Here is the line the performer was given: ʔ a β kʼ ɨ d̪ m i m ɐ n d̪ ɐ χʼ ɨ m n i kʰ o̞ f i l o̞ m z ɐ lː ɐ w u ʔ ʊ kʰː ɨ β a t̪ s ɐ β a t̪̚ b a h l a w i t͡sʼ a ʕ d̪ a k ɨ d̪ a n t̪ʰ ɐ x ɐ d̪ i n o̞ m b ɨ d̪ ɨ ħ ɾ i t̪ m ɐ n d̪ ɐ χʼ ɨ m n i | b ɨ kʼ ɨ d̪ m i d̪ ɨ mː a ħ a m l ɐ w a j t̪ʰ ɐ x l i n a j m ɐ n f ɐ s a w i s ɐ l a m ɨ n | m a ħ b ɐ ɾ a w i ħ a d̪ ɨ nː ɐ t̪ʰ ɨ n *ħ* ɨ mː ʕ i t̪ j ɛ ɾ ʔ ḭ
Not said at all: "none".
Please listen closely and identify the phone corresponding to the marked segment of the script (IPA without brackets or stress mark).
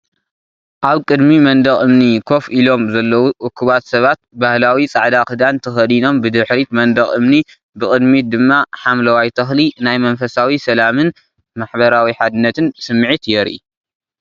s